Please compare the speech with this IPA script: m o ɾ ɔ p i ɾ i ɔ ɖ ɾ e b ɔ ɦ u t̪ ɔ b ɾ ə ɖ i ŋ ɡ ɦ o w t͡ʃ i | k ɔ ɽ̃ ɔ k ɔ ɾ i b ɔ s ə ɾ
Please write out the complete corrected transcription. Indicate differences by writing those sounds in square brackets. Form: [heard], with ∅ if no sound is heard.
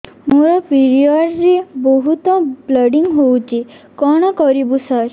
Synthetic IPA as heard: m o ɾ ɔ p i ɾ i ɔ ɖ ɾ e b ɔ ɦ u t̪ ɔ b [l] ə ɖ i ŋ ɡ ɦ o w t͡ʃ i | k ɔ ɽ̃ ɔ k ɔ ɾ i b [u] s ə ɾ